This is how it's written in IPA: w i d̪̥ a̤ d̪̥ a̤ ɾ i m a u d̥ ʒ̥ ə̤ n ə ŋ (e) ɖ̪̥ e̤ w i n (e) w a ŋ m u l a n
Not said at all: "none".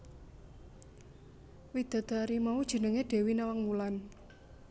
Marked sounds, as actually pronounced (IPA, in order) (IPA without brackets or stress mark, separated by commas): e, a